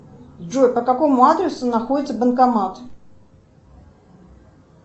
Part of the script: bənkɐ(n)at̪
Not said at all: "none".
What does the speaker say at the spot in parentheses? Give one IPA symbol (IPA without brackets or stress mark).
m